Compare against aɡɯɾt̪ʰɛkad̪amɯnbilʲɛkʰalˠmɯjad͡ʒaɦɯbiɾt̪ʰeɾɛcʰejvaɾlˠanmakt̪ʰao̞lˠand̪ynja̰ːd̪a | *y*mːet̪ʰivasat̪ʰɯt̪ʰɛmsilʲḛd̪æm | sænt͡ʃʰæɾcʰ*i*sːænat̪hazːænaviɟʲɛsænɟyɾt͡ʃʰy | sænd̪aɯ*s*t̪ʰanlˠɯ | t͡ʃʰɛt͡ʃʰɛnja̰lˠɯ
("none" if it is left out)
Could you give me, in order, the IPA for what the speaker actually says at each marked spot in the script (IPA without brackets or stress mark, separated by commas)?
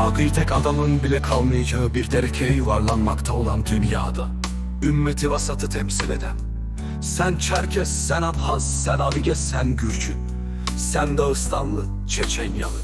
y, ɛ, s